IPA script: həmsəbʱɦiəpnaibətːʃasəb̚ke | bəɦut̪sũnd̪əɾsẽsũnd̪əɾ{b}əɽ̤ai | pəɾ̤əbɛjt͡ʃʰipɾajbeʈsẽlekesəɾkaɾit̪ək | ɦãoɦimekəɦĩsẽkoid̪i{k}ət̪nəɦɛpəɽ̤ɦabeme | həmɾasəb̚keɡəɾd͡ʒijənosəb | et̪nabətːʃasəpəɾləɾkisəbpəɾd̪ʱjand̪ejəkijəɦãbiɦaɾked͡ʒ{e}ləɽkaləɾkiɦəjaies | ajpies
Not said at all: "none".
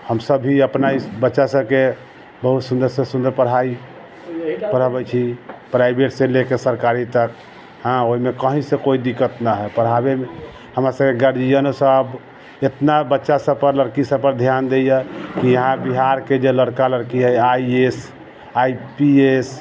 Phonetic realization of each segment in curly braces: p, k, e

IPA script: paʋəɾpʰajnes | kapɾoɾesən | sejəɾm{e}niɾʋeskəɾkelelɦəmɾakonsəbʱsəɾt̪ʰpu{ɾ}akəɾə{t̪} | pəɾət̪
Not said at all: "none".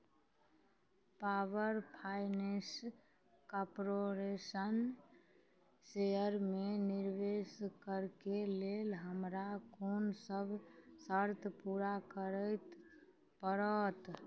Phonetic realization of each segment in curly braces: e, ɾ, t̪

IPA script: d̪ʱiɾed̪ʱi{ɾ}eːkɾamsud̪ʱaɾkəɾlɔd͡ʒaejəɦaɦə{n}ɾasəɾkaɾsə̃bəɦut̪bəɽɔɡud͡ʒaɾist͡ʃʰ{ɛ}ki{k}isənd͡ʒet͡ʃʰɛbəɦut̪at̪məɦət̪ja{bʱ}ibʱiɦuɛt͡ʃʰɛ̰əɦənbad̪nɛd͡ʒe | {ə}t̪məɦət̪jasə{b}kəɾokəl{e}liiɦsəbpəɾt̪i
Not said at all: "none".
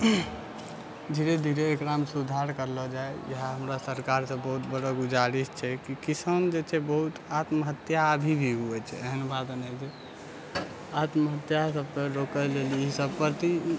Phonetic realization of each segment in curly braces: ɾ, m, ɛ, k, bʱ, a, b, e

